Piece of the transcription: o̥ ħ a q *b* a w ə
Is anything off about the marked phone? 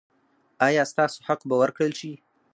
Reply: no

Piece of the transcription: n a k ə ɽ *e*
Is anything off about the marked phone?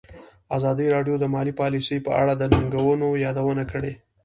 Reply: no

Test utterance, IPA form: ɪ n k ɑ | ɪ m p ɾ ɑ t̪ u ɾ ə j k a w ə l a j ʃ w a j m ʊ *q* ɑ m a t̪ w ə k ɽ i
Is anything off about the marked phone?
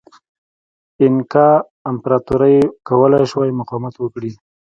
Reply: no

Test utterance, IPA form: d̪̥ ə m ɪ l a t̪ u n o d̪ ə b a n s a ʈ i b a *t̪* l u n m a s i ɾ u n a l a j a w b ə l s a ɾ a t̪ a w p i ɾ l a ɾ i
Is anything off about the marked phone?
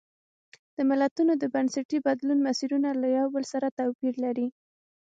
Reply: yes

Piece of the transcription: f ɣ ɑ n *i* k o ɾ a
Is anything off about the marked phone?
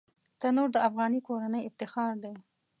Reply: no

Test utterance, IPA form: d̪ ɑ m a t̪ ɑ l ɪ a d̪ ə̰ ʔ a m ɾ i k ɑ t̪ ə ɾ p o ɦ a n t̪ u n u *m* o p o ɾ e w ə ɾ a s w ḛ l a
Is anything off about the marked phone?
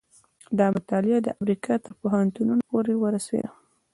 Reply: yes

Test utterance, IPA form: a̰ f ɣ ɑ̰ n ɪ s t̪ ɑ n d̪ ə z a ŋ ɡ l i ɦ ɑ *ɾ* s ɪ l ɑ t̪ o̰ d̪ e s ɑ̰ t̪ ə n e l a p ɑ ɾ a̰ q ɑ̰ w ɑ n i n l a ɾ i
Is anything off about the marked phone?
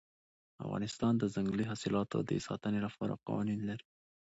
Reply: yes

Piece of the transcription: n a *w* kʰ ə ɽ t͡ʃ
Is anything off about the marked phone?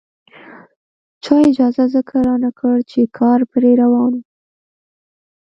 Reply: yes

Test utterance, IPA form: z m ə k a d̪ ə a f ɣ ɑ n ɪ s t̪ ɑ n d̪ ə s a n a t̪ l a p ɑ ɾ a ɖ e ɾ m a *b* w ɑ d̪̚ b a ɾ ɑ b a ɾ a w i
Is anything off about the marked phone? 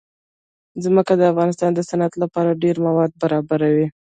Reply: yes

